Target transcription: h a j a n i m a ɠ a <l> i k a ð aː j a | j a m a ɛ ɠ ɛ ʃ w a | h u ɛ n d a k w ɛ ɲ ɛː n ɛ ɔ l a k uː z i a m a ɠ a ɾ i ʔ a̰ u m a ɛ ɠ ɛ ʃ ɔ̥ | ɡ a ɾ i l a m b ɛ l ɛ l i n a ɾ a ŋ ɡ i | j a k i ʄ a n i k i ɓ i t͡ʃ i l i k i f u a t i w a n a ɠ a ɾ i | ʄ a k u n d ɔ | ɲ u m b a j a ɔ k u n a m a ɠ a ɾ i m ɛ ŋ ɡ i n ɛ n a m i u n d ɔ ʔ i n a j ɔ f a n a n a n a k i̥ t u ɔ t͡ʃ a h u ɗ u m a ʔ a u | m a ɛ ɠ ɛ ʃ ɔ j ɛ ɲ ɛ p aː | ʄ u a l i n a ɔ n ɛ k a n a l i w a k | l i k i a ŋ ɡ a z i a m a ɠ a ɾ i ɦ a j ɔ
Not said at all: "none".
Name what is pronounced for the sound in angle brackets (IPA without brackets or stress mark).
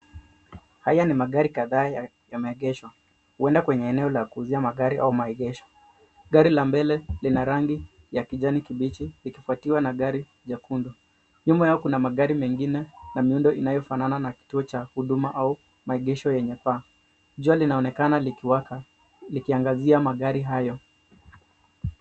ɾ